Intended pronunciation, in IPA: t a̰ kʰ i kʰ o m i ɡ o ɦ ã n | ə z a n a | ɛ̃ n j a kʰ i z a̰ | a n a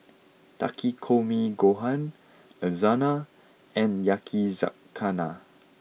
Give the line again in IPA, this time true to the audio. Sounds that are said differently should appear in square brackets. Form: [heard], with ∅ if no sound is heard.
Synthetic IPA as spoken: t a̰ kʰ i kʰ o m i ɡ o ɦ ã n | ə z a n a | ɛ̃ n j a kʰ i z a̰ | a n a